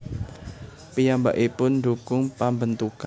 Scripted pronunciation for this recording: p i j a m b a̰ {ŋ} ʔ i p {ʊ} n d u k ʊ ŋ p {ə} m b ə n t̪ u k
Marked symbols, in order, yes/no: no, yes, no

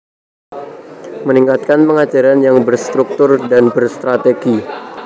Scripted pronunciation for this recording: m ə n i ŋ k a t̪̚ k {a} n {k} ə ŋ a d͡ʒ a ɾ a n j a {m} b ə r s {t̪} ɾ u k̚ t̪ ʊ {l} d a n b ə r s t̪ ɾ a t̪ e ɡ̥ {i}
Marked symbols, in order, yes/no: yes, no, no, yes, no, yes

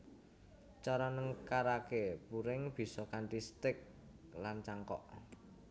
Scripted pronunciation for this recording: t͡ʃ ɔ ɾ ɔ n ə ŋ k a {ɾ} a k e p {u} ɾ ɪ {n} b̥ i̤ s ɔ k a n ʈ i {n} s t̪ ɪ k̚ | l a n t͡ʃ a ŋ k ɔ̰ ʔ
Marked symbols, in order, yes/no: yes, yes, no, no

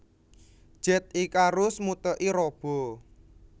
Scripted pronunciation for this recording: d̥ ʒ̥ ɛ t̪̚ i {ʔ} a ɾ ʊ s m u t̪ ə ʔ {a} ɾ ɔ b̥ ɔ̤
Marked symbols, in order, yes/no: no, no

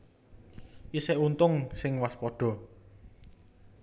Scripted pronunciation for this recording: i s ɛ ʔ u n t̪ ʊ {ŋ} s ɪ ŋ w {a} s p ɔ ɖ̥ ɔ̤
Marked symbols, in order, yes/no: yes, yes

